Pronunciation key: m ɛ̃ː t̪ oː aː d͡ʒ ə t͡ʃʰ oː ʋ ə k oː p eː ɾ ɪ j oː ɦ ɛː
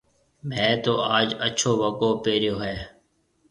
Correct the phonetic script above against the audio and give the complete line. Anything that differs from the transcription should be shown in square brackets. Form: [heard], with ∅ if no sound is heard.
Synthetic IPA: m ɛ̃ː t̪ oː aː d͡ʒ ə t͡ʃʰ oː ʋ ə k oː p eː ɾ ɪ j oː ɦ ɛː